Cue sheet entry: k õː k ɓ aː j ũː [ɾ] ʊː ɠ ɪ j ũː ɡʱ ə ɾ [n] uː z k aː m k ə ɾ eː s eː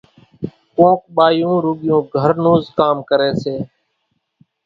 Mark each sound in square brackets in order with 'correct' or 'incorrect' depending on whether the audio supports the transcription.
correct, correct

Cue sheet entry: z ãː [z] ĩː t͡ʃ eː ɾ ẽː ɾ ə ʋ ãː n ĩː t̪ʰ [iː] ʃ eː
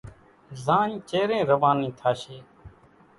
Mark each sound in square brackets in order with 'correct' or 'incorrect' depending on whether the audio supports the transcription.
incorrect, incorrect

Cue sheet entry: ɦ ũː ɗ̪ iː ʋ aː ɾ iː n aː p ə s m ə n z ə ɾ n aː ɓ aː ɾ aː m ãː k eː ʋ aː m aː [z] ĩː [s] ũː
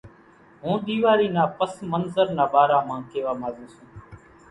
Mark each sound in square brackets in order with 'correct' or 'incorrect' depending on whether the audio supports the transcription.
correct, correct

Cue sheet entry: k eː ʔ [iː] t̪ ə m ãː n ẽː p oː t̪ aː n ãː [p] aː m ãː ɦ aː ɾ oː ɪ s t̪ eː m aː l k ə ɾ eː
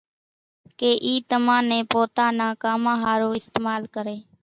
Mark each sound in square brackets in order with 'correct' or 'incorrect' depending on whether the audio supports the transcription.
correct, incorrect

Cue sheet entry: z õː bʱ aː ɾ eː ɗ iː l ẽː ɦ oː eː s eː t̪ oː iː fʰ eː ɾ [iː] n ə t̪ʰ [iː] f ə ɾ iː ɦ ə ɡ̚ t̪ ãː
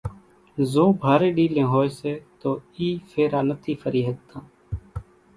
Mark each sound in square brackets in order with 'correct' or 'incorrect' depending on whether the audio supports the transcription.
incorrect, correct

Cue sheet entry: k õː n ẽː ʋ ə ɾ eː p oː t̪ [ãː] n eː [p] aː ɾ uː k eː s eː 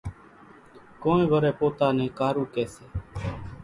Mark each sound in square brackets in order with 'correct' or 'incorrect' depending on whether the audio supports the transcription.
incorrect, incorrect

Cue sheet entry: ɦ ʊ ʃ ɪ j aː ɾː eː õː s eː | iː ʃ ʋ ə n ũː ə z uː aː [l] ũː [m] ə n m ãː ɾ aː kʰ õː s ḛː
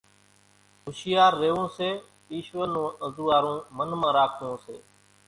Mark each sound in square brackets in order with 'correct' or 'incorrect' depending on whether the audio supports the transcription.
incorrect, correct

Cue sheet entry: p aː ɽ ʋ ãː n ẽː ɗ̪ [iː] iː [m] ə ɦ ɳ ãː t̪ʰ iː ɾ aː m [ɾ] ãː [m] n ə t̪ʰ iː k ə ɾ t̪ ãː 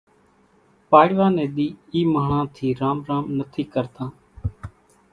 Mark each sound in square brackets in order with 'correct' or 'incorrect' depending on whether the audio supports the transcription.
correct, correct, correct, correct

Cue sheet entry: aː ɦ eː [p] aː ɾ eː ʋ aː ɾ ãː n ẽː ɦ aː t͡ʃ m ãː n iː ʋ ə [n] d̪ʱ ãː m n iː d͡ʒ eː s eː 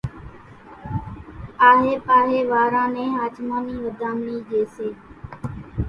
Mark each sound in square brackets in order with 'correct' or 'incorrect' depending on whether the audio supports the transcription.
correct, incorrect

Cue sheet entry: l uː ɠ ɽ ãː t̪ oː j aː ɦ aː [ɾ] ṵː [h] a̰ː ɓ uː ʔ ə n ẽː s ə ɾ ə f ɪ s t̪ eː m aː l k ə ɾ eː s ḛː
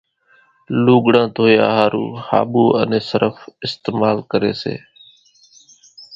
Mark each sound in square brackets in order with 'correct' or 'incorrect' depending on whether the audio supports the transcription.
correct, correct

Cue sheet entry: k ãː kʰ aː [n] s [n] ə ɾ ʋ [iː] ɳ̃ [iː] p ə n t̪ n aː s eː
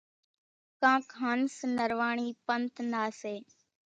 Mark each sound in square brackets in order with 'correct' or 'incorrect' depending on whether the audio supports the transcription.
correct, correct, incorrect, correct

